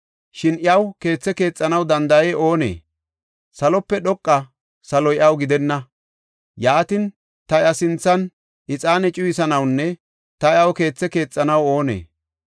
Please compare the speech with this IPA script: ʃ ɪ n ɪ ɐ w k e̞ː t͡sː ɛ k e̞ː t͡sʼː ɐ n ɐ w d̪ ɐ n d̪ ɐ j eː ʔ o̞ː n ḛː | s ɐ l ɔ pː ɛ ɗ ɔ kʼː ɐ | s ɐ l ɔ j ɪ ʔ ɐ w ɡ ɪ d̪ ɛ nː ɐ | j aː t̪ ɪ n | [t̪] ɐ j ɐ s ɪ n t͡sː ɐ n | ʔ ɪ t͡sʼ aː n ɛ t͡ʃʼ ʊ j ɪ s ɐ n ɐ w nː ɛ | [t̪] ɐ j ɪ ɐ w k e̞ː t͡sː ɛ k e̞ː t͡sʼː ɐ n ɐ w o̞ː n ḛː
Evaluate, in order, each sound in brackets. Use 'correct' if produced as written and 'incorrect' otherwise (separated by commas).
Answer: correct, correct